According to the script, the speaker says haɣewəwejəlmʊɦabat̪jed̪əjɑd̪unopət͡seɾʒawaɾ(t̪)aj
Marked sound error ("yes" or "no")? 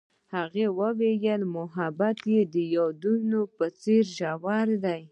yes